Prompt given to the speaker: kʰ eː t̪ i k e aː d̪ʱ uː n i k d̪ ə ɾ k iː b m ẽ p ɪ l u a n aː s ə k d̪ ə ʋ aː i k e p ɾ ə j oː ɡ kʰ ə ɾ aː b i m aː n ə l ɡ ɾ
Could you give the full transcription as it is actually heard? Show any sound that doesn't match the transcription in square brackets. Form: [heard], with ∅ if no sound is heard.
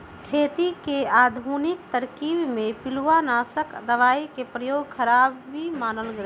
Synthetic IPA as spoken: kʰ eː t̪ i k e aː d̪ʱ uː n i k [t̪] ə ɾ k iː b m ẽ p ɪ l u a n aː s ə k d̪ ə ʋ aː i k e p ɾ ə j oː ɡ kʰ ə ɾ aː b i m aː n ə l ɡ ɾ

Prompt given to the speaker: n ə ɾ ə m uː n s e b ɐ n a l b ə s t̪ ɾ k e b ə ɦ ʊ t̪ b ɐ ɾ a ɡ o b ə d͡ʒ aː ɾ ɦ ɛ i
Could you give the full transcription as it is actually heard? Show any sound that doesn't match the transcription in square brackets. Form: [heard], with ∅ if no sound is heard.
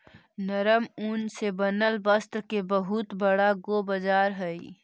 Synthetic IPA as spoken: n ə ɾ ə m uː n s e b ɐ n [ə] l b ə s t̪ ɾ k e b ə ɦ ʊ t̪ b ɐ [ɽ] a ɡ o b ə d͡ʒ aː ɾ ɦ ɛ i

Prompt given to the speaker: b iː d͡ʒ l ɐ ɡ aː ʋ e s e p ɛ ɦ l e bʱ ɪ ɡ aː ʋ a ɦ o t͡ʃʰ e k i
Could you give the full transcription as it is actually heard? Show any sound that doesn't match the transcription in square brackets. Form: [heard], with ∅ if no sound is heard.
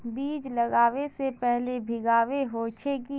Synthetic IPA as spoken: b iː d͡ʒ l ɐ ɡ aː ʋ e s e p ɛ ɦ l e bʱ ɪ ɡ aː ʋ [e] ɦ o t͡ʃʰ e k i

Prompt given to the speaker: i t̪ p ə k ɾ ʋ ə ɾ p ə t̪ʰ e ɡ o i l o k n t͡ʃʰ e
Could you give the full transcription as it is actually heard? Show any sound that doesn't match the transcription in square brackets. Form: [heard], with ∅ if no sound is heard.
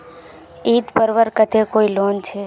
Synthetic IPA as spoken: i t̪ p ə [∅] ɾ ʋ ə ɾ [k] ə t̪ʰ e [k] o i l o [∅] n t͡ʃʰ e

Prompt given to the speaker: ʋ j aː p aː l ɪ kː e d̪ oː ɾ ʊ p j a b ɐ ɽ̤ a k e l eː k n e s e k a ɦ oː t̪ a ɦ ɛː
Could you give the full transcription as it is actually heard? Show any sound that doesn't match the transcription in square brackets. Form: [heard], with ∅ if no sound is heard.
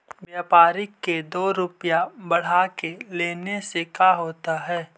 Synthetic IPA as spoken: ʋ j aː p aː [ɾ] ɪ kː e d̪ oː ɾ ʊ p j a b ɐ ɽ̤ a k e l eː [∅] n e s e k a ɦ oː t̪ a ɦ ɛː

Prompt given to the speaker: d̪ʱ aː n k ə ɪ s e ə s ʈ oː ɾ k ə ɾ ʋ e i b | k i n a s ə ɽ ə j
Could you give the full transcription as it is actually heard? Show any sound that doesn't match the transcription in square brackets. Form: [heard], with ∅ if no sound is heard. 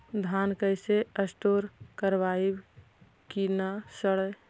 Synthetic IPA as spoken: d̪ʱ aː n k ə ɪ s e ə s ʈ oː ɾ k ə ɾ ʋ [a] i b | k i n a s ə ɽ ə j

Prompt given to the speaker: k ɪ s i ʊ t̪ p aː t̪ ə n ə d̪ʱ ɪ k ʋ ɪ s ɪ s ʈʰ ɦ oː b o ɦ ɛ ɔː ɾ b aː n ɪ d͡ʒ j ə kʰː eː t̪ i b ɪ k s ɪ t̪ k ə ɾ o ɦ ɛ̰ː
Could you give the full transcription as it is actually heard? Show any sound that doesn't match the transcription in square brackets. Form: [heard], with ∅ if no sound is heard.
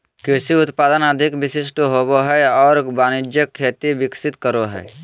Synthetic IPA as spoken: k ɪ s i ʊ t̪ p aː [d̪] ə n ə d̪ʱ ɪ k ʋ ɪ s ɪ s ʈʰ ɦ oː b o ɦ ɛ ɔː ɾ b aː n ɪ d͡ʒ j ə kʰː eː t̪ i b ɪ k s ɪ t̪ k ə ɾ o ɦ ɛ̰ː

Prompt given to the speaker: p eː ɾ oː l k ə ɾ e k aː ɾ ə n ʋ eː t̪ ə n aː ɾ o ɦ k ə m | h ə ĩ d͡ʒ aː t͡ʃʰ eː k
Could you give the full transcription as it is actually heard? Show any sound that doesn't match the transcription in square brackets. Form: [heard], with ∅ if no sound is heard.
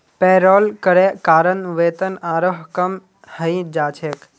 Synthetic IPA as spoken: p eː ɾ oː l k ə ɾ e k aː ɾ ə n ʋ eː t̪ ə n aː ɾ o ɦ k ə m | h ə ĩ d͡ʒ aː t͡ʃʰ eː k

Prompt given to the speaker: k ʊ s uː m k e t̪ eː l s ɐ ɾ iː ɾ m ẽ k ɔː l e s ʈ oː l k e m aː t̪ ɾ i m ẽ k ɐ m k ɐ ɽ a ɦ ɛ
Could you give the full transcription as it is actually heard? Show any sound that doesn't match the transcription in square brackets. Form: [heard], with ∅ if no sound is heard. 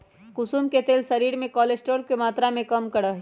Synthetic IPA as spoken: k ʊ s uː m k e t̪ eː l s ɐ ɾ iː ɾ m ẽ k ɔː l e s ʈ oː [ɾ] k e m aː t̪ ɾ [a] m ẽ k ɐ m k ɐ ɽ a ɦ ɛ

